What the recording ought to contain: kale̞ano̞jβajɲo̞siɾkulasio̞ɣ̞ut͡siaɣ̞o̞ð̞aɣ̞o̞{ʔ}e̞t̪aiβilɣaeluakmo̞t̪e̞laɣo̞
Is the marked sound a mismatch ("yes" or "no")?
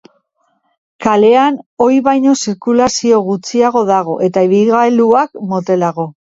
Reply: no